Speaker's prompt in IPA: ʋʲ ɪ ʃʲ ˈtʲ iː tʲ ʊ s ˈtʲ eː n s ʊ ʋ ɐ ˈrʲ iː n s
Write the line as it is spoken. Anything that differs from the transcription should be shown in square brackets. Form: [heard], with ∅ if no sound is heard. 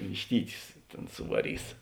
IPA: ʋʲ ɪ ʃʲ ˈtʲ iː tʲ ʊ s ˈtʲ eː n s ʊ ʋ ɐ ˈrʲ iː [∅] s

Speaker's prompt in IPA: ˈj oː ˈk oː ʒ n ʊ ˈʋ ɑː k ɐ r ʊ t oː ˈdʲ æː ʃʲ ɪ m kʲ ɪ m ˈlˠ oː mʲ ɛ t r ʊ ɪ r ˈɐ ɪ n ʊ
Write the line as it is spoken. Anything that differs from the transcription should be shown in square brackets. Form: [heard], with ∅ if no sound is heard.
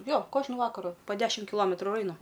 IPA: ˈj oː ˈk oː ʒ n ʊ ˈʋ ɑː k ɐ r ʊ [p] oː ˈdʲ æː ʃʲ ɪ m kʲ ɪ [∅] ˈlˠ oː mʲ ɛ t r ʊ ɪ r ˈɐ ɪ n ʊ

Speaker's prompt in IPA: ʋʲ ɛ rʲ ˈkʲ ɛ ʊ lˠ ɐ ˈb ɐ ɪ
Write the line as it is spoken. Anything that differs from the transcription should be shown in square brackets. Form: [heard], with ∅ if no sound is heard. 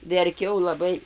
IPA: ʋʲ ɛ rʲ ˈkʲ ɛ ʊ lˠ ɐ ˈb ɐ ɪ

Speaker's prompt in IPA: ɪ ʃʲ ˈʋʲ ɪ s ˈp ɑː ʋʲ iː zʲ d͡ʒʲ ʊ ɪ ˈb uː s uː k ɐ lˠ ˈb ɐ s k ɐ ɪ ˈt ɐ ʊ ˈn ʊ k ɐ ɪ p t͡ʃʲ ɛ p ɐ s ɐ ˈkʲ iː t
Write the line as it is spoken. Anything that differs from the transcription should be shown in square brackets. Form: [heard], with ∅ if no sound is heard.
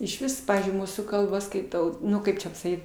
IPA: ɪ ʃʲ ˈʋʲ ɪ s ˈp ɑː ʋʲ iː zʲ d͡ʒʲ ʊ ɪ [ˈm] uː s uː k ɐ lˠ ˈb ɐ s k ɐ ɪ ˈt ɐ ʊ ˈn ʊ k ɐ ɪ p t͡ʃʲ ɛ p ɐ s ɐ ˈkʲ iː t

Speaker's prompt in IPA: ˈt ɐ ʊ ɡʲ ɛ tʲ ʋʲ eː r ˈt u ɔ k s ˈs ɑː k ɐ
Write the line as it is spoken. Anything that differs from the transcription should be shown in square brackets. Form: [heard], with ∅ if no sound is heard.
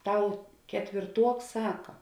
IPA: ˈt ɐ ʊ [kʲ] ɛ tʲ ʋʲ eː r ˈt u ɔ k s ˈs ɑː k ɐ

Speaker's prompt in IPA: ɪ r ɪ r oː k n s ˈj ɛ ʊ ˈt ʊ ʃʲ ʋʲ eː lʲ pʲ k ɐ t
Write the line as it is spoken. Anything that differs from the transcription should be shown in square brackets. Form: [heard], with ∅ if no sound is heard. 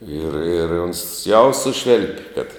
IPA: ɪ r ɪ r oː [∅] n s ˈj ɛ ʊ [ˈs] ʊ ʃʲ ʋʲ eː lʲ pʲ k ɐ t

